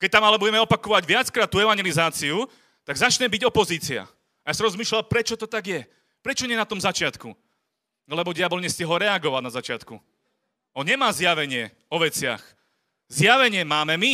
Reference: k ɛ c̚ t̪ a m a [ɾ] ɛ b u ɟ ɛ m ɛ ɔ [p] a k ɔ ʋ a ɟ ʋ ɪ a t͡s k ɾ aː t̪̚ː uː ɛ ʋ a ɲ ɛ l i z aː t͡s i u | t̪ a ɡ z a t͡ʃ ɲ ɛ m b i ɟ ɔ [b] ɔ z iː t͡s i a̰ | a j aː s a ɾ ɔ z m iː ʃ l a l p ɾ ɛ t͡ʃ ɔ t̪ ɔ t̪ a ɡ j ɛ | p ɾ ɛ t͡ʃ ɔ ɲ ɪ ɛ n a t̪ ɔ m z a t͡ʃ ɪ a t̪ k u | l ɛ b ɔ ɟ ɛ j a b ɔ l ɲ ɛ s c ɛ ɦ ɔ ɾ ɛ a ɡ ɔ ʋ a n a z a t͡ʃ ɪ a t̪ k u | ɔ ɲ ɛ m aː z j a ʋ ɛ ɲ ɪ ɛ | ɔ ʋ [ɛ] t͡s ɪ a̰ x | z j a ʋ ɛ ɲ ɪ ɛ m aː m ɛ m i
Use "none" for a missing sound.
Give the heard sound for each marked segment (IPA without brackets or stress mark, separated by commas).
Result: l, p, p, ɛ